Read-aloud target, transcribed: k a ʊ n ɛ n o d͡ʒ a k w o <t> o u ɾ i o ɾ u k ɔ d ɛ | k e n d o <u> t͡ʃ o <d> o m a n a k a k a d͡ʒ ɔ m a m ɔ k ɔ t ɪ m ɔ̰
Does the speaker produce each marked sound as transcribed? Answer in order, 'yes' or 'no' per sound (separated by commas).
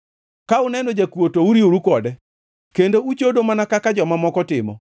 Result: yes, yes, yes